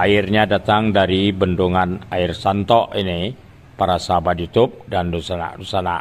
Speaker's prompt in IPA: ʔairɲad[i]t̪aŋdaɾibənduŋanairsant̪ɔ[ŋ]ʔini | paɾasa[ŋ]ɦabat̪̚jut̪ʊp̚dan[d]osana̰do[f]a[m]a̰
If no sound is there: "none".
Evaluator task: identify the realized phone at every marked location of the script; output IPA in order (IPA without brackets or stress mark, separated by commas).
a, none, none, d, s, n